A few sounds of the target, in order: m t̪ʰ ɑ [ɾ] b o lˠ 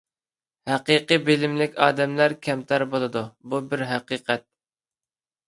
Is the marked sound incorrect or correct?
correct